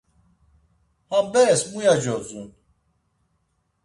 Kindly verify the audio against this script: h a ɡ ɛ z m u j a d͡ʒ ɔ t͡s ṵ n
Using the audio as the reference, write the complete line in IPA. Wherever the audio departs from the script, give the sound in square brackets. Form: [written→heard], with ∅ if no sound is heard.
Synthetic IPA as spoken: h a [ɡ→b] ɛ [z→s] m u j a d͡ʒ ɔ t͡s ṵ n